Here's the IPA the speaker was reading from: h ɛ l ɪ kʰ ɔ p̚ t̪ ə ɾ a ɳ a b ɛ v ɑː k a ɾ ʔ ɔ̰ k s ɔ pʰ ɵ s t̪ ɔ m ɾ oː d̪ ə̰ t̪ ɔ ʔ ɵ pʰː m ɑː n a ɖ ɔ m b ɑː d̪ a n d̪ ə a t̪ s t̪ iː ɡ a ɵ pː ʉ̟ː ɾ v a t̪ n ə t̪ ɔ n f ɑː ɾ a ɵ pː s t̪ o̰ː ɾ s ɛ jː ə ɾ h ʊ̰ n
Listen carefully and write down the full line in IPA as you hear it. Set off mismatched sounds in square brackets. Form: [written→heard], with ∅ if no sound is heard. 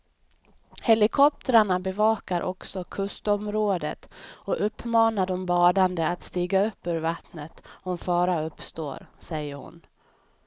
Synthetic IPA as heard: h ɛ l ɪ kʰ ɔ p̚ t̪ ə ɾ a ɳ a b ɛ v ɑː k a ɾ ʔ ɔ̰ k s ɔ [pʰ→kʰ] ɵ s t̪ ɔ m ɾ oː d̪ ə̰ t̪ ɔ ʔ ɵ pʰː m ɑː n a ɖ ɔ m b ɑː d̪ a n d̪ ə a t̪ s t̪ iː ɡ a ɵ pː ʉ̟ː ɾ v a t̪ n ə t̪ ɔ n f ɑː ɾ a ɵ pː s t̪ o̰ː ɾ s ɛ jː ə ɾ h ʊ̰ n